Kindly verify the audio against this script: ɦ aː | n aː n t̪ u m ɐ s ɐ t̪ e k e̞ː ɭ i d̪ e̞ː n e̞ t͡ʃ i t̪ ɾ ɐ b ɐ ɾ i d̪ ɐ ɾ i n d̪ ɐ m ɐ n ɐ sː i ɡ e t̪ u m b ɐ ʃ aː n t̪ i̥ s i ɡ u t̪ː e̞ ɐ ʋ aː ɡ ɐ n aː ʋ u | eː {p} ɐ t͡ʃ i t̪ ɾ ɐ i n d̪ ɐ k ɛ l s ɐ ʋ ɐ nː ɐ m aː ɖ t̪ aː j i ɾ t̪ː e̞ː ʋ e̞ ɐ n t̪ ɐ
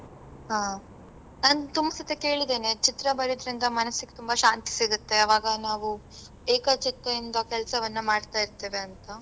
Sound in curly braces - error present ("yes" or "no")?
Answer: yes